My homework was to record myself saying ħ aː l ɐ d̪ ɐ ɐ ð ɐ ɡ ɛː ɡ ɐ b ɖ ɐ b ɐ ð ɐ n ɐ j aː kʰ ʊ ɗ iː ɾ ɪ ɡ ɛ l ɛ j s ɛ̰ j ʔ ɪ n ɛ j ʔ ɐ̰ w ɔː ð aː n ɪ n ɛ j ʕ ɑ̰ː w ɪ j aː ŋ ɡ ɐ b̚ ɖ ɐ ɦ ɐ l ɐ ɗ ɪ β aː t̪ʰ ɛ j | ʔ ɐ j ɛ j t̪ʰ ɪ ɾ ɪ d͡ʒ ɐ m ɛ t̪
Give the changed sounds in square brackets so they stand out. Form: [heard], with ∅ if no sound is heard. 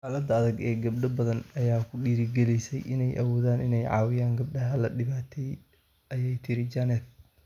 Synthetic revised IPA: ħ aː l ɐ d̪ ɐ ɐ ð ɐ ɡ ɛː ɡ ɐ b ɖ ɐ b ɐ ð ɐ n ɐ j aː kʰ ʊ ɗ iː ɾ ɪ ɡ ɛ l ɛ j s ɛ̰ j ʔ ɪ n ɛ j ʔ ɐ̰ w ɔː ð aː n ɪ n ɛ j ʕ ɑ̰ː w ɪ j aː ŋ ɡ ɐ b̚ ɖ ɐ ɦ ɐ l ɐ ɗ ɪ β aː t̪ʰ ɛ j | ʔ ɐ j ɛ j t̪ʰ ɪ ɾ ɪ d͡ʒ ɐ [n] ɛ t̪